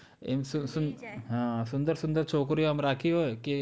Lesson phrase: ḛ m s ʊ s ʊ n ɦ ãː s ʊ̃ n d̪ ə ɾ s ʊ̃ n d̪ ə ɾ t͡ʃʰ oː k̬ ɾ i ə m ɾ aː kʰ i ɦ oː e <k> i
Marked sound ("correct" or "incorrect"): correct